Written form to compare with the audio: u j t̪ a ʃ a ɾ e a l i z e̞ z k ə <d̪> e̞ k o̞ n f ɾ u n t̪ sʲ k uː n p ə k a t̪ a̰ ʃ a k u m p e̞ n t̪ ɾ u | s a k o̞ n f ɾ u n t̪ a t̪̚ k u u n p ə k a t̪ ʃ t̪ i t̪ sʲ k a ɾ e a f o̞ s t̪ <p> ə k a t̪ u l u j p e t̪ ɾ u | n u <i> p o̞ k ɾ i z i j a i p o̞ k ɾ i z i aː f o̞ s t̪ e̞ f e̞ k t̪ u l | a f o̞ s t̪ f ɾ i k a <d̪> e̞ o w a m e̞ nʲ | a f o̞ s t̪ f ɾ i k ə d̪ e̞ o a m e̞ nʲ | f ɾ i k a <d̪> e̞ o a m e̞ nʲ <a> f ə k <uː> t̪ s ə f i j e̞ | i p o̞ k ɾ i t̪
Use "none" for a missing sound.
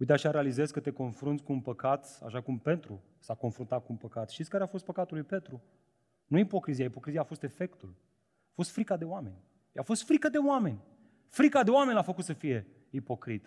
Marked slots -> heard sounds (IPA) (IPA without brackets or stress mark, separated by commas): t̪, p, i, d̪, d̪, a, u